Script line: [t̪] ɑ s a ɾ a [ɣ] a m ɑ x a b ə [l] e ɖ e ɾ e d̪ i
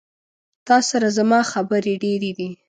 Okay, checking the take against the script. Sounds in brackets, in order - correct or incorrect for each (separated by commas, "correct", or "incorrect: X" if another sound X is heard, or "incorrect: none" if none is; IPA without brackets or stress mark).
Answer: correct, incorrect: z, incorrect: ɾ